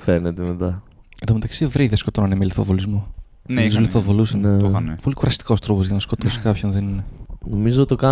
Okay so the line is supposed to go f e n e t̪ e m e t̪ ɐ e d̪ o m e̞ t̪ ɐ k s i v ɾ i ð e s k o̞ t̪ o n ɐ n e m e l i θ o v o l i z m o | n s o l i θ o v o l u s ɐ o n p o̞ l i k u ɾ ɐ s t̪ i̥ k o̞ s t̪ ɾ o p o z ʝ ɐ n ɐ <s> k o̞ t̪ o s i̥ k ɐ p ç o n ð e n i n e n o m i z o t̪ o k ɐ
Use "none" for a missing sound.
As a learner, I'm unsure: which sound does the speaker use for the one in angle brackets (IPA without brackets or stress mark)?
s